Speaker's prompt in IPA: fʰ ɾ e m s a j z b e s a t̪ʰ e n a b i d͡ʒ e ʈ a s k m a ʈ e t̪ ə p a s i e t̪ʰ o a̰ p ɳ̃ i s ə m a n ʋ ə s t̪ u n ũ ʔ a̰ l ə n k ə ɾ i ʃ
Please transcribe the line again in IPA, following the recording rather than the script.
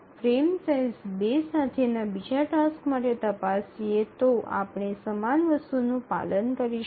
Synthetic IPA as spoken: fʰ ɾ e m s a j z b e s a t̪ʰ e n a b i d͡ʒ a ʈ a s k m a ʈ e t̪ ə p a s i e t̪ o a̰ p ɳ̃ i s ə m a n ʋ ə s t̪ u n ũ p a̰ l ə n k ə ɾ i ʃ